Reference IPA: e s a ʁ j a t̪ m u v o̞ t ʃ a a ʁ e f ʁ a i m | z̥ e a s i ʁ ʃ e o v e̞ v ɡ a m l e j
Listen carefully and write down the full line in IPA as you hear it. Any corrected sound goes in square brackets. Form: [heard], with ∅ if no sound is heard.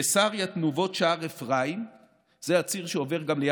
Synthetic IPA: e s a ʁ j a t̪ [n] u v o̞ t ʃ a a ʁ e f ʁ a i m | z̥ e a [t͡s] i ʁ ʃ e o v e̞ [ʁ] ɡ a m l e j